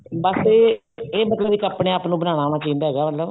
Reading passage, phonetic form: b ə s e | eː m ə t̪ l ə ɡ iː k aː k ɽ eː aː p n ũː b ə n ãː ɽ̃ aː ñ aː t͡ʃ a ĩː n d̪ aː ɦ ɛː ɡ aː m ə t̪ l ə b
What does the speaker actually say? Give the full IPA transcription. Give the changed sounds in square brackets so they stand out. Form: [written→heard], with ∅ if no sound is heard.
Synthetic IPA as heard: b ə s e | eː m ə t̪ l ə [ɡ→b] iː k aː [k→p] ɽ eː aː p n ũː b ə n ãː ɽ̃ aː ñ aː t͡ʃ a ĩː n d̪ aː ɦ ɛː ɡ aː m ə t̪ l ə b